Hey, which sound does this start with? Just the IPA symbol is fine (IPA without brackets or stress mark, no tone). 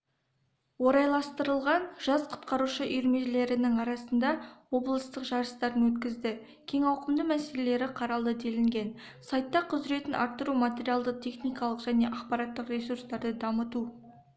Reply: w